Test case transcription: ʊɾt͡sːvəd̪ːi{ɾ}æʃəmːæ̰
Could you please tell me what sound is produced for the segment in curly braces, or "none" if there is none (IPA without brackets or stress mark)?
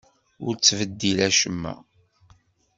l